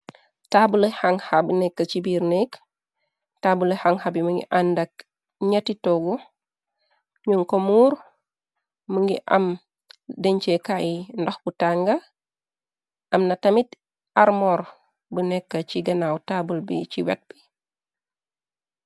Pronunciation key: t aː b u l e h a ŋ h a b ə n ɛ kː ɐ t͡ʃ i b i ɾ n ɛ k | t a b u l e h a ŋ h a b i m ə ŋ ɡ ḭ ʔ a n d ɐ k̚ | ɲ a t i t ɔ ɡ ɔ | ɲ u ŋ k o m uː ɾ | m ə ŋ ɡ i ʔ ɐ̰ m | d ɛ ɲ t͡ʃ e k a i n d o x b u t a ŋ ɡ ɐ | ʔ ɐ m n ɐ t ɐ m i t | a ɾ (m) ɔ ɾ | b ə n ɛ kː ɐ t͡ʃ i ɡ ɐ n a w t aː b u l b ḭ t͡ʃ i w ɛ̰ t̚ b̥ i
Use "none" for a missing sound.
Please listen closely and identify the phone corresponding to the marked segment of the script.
m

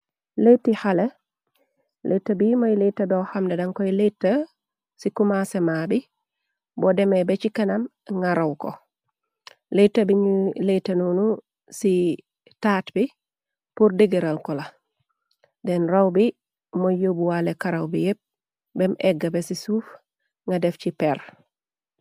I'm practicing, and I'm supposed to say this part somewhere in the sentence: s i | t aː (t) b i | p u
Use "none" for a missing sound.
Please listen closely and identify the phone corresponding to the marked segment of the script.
t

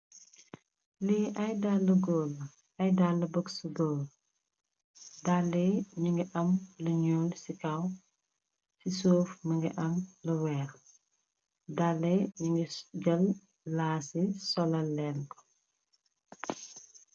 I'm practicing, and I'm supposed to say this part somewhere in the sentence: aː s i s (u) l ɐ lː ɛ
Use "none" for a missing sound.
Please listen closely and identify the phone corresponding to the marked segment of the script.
ɔ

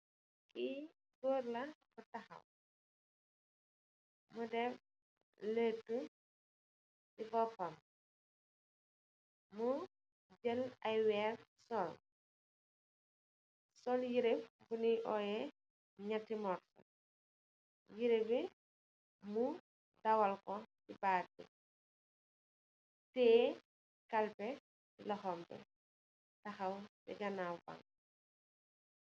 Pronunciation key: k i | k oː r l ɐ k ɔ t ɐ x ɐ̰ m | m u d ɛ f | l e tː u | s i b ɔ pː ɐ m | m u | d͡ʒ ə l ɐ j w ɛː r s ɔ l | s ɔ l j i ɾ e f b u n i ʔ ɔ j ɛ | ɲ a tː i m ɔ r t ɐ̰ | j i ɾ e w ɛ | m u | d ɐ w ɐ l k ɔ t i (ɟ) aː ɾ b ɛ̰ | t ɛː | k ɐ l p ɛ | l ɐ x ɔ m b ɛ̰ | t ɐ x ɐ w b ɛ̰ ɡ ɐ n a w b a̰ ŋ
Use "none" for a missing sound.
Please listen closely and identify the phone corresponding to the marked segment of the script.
b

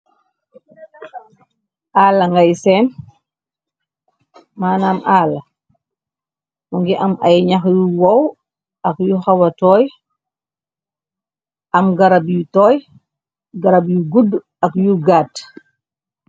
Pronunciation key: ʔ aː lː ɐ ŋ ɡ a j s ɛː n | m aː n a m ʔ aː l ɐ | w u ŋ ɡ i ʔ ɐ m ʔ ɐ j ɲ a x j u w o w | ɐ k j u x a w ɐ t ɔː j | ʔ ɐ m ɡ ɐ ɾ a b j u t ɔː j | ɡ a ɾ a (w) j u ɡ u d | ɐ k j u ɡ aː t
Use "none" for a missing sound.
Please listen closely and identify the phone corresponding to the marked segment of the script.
b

